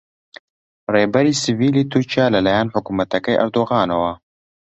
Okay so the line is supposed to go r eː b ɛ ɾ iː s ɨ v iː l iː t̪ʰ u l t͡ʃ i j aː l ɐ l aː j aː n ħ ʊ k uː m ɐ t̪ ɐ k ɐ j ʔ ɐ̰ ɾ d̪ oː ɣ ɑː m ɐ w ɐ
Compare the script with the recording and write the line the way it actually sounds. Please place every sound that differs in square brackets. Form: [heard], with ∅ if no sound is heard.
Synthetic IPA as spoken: r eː b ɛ ɾ iː s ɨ v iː l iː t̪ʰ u [ɾ] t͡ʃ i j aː l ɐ l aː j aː n ħ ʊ k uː m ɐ t̪ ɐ k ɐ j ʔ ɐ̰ ɾ d̪ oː ɣ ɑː [n] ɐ w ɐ